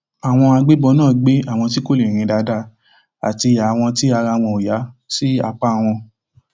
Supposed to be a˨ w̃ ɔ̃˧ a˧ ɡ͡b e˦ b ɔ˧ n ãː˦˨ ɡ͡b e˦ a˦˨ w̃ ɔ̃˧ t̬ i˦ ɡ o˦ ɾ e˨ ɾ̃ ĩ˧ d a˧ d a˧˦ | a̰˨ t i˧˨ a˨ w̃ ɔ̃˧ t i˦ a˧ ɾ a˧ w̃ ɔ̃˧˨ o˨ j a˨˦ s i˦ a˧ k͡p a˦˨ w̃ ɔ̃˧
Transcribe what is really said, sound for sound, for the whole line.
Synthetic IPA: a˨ w̃ ɔ̃˧ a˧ ɡ͡b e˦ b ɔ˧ n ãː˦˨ ɡ͡b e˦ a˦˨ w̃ ɔ̃˧ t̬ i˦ k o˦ l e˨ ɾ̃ ĩ˧ d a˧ d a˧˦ | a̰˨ t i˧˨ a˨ w̃ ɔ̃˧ t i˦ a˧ ɾ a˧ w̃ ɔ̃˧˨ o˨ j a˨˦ s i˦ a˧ k͡p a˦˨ w̃ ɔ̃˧